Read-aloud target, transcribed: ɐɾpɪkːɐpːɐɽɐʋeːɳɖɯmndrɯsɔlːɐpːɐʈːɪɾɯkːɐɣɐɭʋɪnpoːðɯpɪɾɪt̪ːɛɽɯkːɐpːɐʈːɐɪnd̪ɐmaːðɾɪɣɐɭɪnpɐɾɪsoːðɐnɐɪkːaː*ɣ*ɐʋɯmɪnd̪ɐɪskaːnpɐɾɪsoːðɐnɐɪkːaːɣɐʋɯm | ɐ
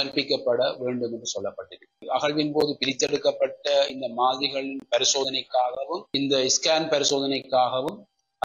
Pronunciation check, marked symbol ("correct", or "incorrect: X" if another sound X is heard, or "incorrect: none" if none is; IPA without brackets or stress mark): correct